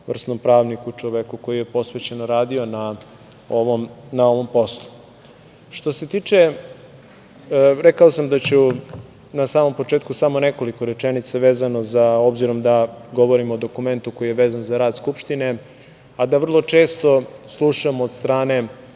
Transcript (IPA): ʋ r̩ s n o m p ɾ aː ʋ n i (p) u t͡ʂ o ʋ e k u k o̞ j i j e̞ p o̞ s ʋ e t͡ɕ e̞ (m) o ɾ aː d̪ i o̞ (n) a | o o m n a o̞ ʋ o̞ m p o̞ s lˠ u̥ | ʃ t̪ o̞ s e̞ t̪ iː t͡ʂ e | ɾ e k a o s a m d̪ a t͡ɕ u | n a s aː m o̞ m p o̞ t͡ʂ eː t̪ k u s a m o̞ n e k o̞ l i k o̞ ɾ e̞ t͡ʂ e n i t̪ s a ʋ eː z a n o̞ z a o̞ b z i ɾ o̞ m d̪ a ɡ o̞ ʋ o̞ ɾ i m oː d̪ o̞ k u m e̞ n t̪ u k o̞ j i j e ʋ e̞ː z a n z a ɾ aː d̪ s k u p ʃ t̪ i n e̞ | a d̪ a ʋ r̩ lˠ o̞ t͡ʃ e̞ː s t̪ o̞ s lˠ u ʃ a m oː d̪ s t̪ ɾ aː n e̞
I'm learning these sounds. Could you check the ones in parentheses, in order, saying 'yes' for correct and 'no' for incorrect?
no, no, yes

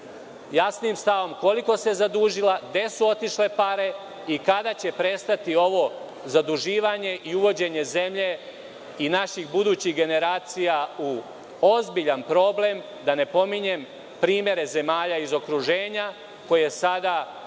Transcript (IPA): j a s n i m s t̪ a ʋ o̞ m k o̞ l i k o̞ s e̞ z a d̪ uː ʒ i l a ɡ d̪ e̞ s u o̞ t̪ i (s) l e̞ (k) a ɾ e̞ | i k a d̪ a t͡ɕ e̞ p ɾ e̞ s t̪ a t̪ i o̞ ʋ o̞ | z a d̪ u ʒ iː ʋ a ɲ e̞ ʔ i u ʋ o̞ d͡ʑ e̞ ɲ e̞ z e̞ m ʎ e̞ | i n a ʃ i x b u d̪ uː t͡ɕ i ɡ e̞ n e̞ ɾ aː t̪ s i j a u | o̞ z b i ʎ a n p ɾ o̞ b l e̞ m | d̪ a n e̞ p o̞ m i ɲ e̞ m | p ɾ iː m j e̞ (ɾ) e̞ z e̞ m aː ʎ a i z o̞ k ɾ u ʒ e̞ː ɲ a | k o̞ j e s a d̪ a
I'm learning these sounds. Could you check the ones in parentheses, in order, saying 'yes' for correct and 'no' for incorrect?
no, no, yes

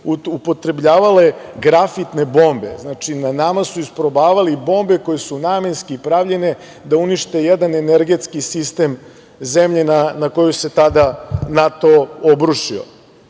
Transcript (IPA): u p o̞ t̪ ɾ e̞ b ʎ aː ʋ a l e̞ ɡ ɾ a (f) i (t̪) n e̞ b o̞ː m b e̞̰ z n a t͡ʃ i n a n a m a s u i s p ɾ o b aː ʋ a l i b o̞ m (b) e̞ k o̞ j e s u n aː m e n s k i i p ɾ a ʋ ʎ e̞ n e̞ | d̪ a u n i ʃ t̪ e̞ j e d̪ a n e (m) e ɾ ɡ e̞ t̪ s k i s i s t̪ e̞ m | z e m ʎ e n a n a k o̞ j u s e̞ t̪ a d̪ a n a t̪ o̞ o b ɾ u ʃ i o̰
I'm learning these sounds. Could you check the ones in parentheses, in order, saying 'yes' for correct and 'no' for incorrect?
yes, yes, yes, no

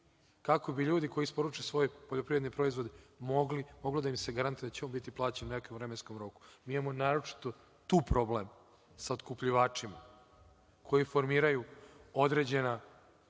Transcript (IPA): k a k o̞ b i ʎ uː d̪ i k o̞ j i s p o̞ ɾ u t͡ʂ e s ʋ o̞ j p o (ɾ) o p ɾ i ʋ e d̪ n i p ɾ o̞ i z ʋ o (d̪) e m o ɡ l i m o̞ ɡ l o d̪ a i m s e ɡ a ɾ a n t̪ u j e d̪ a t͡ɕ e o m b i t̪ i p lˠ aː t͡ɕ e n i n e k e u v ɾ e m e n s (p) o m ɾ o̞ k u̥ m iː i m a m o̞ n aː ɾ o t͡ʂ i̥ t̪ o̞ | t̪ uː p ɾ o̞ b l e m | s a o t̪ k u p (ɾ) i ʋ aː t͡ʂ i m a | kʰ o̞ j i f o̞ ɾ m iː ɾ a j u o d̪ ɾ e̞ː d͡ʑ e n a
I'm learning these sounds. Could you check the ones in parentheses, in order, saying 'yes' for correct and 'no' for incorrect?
no, yes, no, no

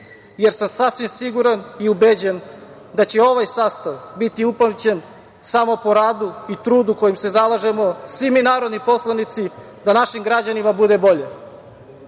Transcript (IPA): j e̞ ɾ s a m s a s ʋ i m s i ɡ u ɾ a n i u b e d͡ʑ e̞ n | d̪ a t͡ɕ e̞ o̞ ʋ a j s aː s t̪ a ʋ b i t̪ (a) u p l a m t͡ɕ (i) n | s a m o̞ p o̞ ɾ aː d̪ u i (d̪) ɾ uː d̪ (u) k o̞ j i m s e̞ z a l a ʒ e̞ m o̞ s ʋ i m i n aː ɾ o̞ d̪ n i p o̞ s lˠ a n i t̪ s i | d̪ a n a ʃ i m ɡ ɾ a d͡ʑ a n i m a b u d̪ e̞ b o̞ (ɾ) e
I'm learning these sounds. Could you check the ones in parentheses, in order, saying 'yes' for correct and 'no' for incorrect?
no, no, no, yes, no

